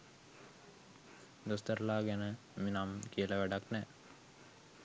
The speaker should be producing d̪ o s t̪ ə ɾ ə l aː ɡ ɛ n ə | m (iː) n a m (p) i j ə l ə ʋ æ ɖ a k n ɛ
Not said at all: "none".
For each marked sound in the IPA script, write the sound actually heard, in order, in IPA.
i, k

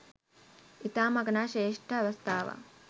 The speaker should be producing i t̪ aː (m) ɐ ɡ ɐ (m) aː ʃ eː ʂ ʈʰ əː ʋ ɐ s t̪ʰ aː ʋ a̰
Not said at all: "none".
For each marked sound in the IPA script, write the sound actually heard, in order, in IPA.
m, n

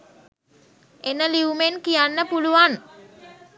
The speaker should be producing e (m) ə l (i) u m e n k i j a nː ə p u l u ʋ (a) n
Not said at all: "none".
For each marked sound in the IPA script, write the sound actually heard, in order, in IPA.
n, i, a

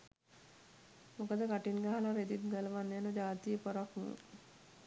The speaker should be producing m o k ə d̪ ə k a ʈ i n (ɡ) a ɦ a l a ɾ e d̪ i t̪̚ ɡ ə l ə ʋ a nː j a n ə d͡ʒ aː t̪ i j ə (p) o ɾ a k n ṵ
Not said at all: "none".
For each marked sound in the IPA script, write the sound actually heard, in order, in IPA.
ɡ, p

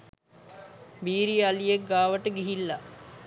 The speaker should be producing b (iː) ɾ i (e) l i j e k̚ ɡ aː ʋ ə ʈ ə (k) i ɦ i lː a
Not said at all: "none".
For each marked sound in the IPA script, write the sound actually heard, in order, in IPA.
iː, a, ɡ

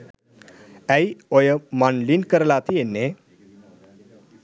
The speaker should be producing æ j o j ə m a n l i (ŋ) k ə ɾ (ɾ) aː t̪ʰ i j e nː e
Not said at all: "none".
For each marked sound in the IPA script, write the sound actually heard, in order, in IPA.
n, l

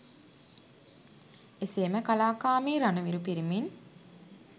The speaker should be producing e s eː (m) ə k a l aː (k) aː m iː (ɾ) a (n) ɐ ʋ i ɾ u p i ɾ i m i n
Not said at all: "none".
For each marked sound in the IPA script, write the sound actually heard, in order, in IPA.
m, k, ɾ, n

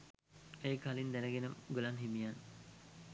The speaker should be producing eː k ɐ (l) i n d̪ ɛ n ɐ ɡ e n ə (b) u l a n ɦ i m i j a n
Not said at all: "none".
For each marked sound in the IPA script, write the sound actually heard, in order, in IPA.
l, ɡ

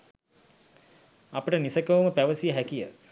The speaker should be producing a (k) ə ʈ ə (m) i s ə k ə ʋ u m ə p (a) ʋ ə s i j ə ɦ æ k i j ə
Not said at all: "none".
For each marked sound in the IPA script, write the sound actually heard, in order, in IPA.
p, n, æ

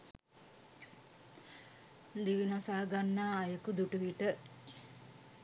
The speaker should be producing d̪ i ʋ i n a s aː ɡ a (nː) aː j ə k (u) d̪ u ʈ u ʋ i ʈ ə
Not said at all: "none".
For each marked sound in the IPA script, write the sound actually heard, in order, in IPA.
nː, u

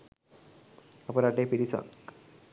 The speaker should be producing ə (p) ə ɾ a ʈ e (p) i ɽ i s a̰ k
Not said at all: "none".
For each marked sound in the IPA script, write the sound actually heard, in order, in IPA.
p, p

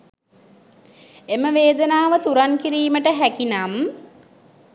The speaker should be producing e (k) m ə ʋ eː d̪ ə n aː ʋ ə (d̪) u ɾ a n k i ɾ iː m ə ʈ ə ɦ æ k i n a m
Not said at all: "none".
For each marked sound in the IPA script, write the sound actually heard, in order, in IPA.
none, t̪

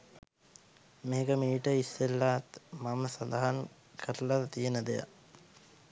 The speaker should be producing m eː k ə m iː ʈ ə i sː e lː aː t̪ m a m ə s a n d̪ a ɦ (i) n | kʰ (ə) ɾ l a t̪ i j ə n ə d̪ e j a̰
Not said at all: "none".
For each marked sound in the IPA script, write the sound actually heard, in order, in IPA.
a, ə

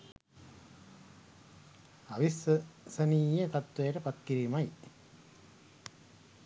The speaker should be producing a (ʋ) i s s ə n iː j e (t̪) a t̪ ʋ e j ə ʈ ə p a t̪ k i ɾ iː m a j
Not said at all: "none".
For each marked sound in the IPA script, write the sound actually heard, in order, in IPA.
ʋ, t̪

